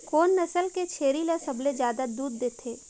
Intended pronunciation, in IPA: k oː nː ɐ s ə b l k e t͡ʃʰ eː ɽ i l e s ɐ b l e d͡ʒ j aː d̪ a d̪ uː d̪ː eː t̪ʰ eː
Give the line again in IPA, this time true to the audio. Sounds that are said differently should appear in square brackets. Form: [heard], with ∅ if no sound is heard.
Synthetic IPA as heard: k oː nː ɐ s ə [∅] l k e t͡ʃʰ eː [ɾ] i l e s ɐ b l e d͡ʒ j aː d̪ a d̪ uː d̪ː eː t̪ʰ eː